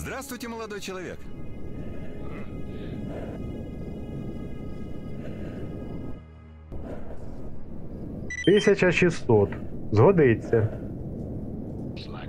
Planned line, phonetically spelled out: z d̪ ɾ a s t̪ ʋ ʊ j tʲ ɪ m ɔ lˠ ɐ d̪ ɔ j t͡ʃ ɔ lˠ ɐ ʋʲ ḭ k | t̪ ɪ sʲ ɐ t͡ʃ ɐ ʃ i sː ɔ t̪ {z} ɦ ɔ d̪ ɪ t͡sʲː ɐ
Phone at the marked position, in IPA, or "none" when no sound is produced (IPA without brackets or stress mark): z